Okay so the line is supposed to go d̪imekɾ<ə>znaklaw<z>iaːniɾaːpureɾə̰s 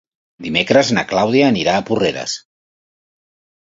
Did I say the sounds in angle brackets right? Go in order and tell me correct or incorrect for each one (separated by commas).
correct, incorrect